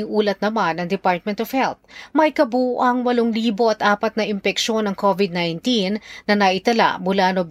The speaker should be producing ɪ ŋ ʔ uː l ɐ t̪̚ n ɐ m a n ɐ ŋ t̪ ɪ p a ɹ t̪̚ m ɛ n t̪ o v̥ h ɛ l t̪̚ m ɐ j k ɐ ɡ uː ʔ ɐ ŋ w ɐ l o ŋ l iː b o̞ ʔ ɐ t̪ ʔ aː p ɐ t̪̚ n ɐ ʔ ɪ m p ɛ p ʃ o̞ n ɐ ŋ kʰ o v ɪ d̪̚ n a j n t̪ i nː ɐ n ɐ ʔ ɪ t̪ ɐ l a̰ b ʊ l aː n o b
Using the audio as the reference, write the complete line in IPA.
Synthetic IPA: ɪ ŋ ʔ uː l ɐ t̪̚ n ɐ m a n ɐ ŋ d̪ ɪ p a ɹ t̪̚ m ɛ n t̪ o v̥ h ɛ l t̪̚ m ɐ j k ɐ b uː ʔ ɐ ŋ w ɐ l o ŋ l iː b o̞ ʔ ɐ t̪ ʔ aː p ɐ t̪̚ n ɐ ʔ ɪ m p ɛ k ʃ o̞ n ɐ ŋ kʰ o v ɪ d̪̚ n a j n t̪ i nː ɐ n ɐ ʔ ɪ t̪ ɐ l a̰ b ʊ l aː n o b